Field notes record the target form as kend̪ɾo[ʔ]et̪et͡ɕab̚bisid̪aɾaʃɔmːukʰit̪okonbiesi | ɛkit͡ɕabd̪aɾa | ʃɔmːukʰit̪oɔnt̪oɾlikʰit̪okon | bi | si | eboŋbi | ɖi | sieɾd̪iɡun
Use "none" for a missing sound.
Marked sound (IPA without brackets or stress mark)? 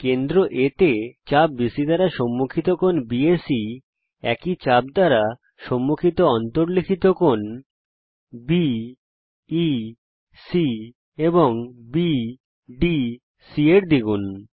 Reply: ʔ